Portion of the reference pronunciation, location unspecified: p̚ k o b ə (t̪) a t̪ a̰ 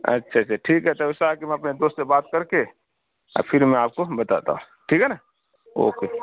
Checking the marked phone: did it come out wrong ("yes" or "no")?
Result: no